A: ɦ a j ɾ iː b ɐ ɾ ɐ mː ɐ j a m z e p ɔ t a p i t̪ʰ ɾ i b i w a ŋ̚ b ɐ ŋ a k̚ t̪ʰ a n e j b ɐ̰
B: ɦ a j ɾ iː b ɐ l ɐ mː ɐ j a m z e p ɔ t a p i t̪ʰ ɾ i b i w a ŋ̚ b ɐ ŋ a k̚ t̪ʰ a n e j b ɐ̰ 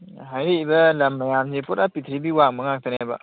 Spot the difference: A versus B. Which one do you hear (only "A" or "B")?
B